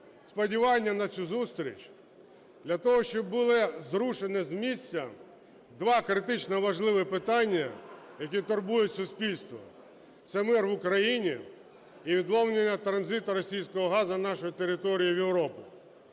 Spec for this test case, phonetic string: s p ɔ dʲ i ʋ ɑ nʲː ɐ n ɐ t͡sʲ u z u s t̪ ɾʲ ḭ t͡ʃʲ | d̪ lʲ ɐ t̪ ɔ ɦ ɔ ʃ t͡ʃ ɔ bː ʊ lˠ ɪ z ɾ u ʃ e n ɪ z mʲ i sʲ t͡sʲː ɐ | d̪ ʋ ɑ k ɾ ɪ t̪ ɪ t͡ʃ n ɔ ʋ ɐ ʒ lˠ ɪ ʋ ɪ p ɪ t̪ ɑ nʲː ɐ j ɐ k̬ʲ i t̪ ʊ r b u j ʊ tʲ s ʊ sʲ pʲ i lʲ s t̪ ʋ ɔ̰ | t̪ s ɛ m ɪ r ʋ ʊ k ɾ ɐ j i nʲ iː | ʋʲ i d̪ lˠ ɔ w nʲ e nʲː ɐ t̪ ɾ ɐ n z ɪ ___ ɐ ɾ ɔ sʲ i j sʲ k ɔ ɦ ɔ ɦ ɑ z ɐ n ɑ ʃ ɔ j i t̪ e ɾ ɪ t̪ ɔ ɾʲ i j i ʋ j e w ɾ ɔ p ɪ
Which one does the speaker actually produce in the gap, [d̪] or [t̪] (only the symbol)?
t̪